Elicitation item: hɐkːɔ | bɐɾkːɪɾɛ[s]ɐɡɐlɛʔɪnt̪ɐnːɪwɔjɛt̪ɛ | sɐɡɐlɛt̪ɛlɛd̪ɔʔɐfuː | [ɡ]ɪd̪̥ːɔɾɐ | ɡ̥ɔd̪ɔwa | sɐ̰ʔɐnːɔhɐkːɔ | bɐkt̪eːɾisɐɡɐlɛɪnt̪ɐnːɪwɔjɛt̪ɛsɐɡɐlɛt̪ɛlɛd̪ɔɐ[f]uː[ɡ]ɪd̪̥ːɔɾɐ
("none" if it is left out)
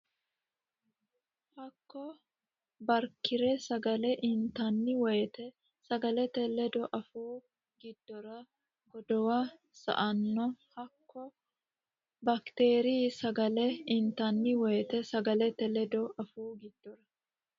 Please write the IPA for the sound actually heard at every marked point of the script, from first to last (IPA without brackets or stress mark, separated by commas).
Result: s, ɡ, f, ɡ